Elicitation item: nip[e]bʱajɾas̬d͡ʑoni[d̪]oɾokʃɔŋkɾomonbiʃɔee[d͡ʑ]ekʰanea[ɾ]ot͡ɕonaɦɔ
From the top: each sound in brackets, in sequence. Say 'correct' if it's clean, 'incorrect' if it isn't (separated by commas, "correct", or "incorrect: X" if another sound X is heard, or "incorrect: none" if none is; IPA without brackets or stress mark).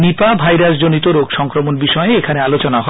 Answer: incorrect: a, incorrect: t̪, incorrect: none, incorrect: l